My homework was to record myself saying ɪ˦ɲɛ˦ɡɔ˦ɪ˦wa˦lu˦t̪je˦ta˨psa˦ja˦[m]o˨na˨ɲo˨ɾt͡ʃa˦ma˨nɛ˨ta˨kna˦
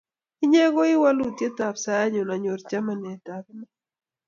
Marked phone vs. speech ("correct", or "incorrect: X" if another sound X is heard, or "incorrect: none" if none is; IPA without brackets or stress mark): incorrect: ɲ